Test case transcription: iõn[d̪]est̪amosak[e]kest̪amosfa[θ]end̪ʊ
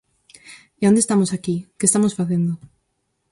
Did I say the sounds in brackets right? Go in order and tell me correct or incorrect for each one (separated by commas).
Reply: correct, incorrect, correct